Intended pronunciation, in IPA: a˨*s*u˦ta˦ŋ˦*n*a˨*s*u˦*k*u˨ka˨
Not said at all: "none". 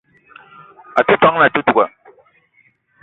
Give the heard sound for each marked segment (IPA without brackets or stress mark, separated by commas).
t, n, t, t